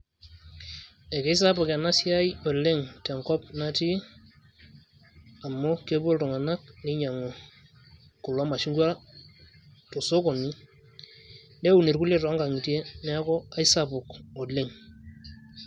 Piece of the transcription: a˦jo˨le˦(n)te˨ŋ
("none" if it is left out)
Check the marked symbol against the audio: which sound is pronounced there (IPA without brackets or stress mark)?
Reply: ŋ